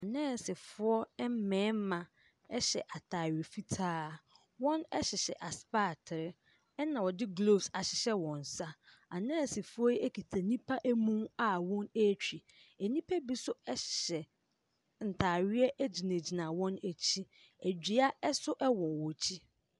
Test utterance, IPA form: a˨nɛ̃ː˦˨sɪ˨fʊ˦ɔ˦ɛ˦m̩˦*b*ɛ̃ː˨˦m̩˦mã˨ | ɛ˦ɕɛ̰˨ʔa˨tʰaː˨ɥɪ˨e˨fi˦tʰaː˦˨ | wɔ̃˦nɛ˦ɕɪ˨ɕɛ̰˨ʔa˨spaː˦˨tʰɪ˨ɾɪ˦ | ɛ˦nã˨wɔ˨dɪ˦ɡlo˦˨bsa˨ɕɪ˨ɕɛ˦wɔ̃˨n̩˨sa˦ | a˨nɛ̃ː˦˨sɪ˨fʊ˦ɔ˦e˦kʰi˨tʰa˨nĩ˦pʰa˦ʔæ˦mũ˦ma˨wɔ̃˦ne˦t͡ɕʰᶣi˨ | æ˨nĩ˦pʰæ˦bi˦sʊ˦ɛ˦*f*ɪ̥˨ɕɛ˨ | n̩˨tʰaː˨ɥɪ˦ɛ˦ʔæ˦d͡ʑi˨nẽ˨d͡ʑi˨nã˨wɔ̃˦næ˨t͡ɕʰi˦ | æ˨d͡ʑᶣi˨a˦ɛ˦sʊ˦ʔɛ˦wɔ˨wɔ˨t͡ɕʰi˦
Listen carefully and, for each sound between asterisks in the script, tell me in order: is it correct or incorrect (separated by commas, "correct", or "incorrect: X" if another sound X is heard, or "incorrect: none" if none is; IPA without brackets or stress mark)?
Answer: incorrect: m, incorrect: ɕ